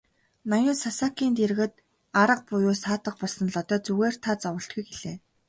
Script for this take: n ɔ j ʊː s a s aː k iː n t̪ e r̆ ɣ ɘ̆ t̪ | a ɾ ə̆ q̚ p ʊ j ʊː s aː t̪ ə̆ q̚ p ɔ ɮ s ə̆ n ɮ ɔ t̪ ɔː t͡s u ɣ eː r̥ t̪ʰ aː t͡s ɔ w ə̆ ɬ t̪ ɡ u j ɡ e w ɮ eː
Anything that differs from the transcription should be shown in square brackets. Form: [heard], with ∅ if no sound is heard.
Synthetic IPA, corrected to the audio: n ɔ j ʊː s a s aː k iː n t̪ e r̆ ɣ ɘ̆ t̪ | a ɾ ə̆ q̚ p ʊ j ʊː s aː t̪ ə̆ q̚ p ɔ ɮ s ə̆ n ɮ ɔ t̪ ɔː t͡s u ɣ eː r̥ t̪ʰ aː t͡s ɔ w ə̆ ɬ t̪ ɡ u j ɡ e [∅] ɮ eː

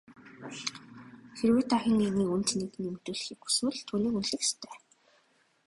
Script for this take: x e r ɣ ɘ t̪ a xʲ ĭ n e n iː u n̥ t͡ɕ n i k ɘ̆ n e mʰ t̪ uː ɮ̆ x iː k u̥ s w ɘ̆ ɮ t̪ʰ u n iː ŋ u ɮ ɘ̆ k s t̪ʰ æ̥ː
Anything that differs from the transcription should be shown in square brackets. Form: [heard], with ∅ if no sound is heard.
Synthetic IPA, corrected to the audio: x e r [w] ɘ t̪ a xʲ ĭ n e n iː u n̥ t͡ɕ n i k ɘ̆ n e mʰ t̪ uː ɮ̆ x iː k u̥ s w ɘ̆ ɮ t̪ʰ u n iː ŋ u ɮ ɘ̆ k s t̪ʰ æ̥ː

